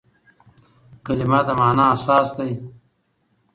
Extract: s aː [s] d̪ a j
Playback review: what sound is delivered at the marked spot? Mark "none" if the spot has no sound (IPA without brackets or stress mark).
s